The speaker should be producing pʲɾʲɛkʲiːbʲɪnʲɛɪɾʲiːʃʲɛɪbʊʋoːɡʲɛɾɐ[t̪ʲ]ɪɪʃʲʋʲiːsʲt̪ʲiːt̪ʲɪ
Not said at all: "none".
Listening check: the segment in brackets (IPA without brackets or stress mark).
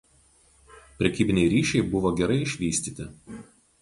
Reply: none